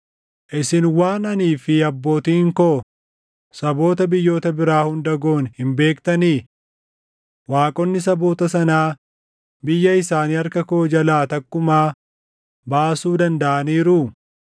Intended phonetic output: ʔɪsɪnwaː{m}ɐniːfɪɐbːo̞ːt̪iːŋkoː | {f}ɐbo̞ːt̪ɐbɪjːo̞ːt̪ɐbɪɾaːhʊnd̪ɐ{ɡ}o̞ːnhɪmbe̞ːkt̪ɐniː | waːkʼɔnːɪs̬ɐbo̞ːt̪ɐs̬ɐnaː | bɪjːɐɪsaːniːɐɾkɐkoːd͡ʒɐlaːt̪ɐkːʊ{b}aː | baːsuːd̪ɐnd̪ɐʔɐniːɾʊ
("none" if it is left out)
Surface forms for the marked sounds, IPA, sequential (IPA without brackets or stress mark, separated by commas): n, s, ɡ, m